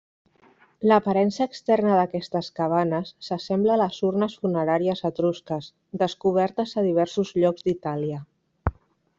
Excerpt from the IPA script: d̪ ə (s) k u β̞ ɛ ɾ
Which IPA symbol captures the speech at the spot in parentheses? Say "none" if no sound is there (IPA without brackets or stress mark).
s